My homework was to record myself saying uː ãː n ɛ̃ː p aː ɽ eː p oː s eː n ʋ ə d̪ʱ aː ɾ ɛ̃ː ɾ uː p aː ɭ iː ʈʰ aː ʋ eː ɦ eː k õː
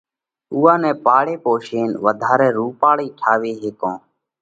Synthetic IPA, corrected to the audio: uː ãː n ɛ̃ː p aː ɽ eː p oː ʃ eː n ʋ ə d̪ʱ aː ɾ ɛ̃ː ɾ uː p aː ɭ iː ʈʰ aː ʋ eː ɦ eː k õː